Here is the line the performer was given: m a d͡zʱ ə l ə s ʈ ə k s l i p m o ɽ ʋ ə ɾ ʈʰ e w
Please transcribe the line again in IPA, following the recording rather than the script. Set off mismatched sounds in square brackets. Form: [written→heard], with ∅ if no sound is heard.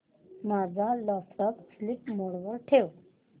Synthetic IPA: m a d͡zʱ [ə→a] l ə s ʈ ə k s l i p m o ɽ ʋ ə ɾ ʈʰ e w